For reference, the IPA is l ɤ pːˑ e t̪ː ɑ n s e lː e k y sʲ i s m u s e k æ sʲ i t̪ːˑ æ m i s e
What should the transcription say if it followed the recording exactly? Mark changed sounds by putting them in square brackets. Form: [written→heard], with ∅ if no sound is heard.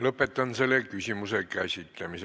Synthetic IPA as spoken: l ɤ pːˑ e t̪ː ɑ n s e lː e k y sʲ i [s→∅] m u s e k æ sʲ i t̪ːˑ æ m i s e